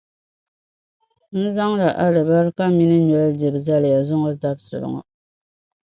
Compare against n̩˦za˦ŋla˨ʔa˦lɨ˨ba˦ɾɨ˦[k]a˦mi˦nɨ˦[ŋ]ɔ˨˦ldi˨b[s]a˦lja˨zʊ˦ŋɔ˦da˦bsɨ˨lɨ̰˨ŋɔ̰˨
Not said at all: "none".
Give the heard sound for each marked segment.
k, ɲ, z

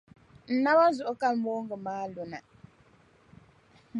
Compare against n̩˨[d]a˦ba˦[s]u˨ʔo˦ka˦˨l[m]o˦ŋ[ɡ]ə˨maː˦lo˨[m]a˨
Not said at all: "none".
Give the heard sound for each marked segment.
n, z, m, ɡ, n

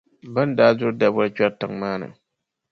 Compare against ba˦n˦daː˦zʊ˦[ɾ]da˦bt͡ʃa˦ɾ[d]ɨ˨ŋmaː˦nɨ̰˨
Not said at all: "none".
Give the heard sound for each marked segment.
ɾ, t

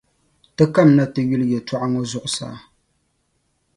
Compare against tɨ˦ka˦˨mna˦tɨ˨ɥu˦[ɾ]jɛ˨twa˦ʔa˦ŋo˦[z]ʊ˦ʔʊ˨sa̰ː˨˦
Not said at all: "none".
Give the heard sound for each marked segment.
l, z

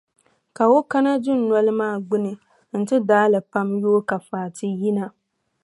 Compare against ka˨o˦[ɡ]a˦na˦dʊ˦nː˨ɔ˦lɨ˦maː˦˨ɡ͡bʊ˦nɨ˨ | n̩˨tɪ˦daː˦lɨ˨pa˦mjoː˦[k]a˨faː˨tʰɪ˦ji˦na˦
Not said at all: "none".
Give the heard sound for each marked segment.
k, k

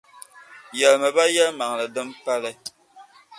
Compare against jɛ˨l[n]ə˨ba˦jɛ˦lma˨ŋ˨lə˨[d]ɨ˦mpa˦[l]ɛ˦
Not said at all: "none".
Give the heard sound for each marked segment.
m, d, l

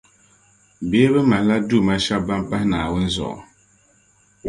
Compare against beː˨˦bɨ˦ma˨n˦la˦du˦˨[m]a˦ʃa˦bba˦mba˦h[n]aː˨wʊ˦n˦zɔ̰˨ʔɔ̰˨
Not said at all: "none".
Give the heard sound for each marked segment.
m, n

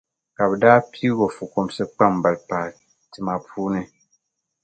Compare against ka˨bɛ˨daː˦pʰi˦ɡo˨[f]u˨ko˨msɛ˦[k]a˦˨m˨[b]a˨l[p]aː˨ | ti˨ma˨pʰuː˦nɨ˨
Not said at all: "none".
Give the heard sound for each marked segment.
f, k͡p, b, p

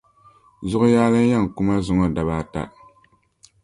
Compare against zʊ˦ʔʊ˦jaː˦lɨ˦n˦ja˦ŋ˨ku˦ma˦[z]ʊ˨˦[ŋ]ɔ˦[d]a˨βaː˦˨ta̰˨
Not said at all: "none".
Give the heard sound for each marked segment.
z, ŋ, d

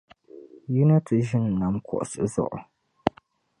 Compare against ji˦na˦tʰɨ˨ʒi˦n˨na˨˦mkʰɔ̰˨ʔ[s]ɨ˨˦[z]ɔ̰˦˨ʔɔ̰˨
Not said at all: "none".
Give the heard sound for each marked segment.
s, z

